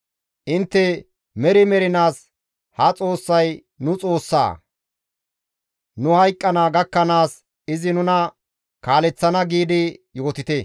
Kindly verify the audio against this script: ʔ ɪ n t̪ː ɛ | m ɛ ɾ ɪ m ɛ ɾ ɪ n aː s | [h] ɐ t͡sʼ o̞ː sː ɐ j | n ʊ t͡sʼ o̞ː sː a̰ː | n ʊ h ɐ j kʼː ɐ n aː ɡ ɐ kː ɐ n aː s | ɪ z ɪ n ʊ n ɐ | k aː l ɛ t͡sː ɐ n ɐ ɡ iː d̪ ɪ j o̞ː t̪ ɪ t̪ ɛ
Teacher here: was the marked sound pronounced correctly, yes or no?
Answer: yes